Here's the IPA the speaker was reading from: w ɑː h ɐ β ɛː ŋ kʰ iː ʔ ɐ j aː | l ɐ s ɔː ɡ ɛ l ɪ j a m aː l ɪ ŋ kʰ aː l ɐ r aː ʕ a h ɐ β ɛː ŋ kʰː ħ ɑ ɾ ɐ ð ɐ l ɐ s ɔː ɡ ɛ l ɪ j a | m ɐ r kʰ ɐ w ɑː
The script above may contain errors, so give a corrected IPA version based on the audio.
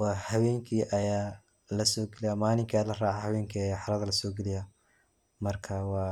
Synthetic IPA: w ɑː h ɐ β ɛː ŋ kʰ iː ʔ ɐ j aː | l ɐ s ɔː ɡ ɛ l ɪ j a m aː l ɪ ŋ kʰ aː l ɐ r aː ʕ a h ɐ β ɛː ŋ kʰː ħ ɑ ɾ ɐ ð ɐ l ɐ s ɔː ɡ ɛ l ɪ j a | m ɐ r kʰ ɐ w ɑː